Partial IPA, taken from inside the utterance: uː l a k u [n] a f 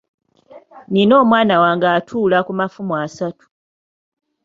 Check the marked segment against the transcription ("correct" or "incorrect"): incorrect